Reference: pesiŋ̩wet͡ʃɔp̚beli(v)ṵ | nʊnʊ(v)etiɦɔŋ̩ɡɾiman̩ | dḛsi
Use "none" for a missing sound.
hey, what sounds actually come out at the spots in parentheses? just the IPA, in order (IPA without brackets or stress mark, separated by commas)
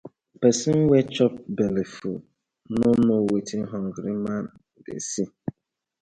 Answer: f, w